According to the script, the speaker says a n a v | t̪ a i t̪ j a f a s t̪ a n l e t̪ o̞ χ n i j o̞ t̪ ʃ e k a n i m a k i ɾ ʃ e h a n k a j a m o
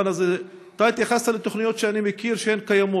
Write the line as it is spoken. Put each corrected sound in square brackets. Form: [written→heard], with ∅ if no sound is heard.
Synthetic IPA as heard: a n a [v→z] | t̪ a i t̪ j a [f→χ] a s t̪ a [n→∅] l e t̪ o̞ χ n i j o̞ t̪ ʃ e [k→∅] a n i m [a→e] k i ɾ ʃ e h [a→e] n k a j a m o